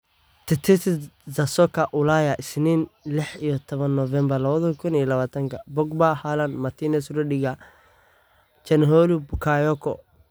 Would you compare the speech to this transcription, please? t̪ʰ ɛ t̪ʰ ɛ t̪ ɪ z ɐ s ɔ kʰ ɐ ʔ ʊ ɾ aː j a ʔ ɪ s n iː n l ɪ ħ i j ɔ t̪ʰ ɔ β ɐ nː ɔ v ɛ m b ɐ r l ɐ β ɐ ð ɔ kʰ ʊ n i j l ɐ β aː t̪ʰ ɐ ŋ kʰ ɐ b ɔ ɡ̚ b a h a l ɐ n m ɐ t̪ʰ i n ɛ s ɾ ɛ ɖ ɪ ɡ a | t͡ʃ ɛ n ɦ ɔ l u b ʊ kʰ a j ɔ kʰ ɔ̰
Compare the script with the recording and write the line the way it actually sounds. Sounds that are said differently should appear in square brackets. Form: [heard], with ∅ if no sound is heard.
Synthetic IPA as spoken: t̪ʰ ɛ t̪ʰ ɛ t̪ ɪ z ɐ s ɔ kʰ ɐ ʔ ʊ [l] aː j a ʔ ɪ s n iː n l ɪ ħ i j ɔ t̪ʰ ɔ β ɐ nː ɔ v ɛ m b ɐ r l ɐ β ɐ ð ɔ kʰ ʊ n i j l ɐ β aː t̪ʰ ɐ ŋ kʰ ɐ b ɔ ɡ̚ b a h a l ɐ n m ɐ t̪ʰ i n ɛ s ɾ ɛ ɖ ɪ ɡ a | t͡ʃ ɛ n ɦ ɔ l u b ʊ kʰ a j ɔ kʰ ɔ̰